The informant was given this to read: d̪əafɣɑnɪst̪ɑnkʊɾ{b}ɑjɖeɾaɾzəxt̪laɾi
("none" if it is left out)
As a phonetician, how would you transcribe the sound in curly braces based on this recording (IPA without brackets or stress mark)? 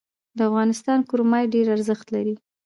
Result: m